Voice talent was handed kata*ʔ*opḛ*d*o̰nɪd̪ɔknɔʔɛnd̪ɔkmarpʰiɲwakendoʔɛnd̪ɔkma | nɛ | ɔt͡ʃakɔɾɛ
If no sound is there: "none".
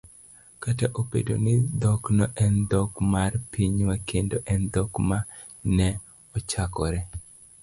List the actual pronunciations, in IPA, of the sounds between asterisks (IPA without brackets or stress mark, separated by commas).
ʔ, d